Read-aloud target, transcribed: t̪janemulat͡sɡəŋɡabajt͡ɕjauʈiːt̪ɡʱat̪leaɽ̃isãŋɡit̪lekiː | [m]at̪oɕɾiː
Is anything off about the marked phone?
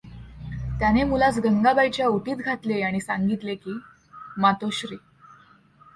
no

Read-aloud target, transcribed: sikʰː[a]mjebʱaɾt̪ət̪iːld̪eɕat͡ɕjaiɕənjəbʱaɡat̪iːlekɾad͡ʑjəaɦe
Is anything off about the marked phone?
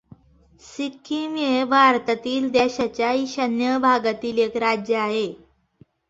yes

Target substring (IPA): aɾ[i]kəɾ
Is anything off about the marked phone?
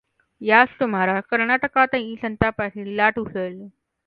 yes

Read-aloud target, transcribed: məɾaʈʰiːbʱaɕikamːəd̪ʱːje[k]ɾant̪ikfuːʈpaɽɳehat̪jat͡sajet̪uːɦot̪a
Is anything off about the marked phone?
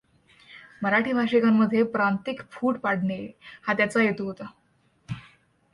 yes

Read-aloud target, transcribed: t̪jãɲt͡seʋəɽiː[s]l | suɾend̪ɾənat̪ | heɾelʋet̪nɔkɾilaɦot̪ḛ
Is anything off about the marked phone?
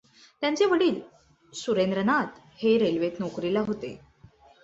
yes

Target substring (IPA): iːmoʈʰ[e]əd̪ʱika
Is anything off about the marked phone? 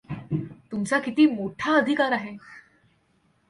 yes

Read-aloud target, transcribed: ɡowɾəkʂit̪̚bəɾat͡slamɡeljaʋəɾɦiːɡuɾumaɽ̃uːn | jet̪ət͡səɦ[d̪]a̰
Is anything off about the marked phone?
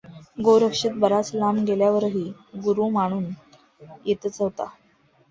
yes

